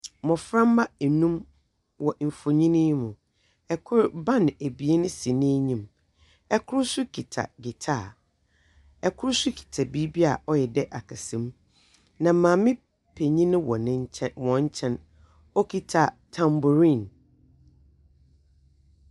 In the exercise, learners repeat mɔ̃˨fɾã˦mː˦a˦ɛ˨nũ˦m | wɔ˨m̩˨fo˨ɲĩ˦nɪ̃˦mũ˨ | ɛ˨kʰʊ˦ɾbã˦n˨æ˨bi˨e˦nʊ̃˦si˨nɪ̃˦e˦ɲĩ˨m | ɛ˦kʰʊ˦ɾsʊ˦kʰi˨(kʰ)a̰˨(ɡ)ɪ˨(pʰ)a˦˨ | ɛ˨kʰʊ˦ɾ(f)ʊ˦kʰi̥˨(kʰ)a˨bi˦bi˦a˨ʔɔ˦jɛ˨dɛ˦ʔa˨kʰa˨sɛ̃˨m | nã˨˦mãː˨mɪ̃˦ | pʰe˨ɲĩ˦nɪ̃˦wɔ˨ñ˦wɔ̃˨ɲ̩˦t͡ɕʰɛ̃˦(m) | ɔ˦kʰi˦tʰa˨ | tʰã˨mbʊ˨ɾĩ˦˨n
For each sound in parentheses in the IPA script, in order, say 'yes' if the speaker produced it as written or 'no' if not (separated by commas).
no, yes, no, no, no, no